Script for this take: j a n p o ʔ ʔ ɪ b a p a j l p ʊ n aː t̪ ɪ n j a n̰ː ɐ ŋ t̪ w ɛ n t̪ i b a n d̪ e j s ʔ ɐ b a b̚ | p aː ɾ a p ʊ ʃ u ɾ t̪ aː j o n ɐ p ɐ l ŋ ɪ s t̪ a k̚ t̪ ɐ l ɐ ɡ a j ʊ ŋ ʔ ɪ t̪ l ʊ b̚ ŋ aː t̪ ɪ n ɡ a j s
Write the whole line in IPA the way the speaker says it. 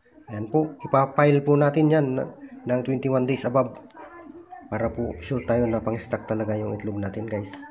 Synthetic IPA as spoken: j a n p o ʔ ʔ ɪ p a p a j l p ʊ n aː t̪ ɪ n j a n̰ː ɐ ŋ t̪ w ɛ n t̪ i w a n d̪ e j s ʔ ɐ b a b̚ | p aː ɾ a p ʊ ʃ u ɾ t̪ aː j o n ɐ p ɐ ŋ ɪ s t̪ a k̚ t̪ ɐ l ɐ ɡ a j ʊ ŋ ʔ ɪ t̪ l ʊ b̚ n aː t̪ ɪ n ɡ a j s